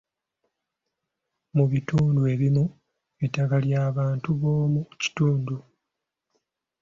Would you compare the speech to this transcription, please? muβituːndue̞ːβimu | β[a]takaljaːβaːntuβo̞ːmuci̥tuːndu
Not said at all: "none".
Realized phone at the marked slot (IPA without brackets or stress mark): i